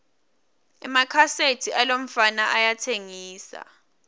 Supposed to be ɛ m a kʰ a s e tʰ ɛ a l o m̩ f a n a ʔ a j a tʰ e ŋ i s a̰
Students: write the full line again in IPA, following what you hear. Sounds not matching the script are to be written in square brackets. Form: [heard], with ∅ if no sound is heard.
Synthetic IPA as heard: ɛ m a kʰ a s e tʰ [i] a l o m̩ f a n a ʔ a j a tʰ e ŋ [iː] s a̰